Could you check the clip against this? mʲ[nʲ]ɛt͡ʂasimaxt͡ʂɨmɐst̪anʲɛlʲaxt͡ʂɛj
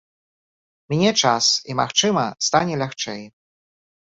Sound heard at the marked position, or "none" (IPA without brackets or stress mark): nʲ